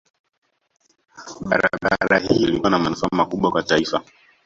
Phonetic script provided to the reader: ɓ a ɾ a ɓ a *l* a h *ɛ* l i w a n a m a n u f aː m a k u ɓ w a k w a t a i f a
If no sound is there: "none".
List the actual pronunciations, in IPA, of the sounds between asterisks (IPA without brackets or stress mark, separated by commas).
ɾ, i